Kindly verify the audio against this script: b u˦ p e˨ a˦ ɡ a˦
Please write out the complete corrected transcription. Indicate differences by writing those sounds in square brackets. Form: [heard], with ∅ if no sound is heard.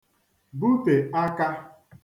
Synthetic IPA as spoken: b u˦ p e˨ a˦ [k] a˦